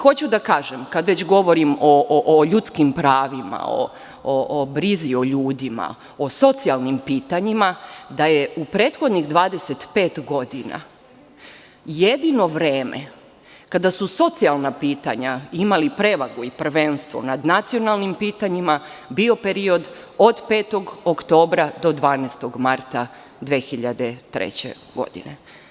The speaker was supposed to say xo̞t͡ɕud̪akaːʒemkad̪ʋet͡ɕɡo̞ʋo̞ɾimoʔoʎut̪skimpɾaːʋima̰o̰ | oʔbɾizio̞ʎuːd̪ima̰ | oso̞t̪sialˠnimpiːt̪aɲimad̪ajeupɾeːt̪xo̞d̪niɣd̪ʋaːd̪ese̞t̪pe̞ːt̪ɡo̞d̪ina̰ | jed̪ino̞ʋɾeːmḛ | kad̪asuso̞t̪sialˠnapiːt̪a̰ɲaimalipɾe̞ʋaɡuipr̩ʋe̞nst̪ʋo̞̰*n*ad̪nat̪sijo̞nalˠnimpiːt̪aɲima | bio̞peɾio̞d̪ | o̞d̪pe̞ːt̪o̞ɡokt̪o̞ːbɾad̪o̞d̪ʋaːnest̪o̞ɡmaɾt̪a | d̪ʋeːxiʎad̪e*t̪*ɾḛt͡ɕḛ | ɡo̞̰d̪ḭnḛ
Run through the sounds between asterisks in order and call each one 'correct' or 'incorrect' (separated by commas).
correct, correct